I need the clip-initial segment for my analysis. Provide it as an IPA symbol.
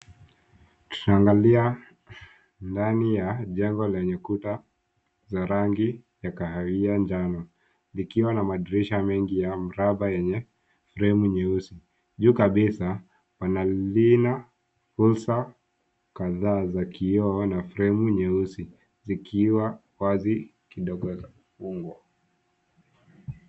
t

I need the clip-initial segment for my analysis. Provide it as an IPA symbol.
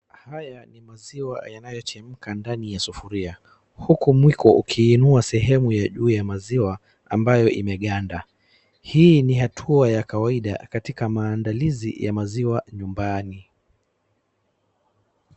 h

